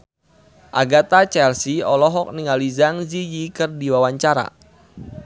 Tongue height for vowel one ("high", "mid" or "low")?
low